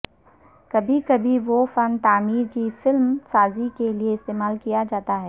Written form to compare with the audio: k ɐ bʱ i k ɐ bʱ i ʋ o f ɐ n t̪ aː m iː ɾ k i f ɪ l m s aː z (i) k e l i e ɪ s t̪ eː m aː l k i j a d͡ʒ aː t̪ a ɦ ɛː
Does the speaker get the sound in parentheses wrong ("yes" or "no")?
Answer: no